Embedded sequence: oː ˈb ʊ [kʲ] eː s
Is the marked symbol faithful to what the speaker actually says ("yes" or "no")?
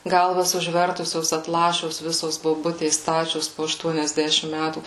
no